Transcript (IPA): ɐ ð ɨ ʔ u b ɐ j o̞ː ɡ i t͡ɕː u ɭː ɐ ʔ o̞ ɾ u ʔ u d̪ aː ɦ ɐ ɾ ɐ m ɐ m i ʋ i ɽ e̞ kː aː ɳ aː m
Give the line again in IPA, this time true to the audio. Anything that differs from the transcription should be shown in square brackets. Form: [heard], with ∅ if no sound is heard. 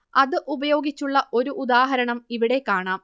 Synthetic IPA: ɐ ð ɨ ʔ u b ɐ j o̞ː ɡ i t͡ɕː u ɭː ɐ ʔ o̞ ɾ u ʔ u d̪ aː ɦ ɐ ɾ ɐ [ɳ] ɐ m i ʋ i ɽ e̞ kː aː ɳ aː m